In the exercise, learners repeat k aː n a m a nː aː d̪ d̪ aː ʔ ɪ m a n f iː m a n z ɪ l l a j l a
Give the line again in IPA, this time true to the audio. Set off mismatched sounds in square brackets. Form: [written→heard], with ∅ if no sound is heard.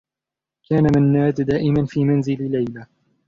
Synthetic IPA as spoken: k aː n a m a nː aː d̪ d̪ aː ʔ ɪ m a n f iː m a n z ɪ l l a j l a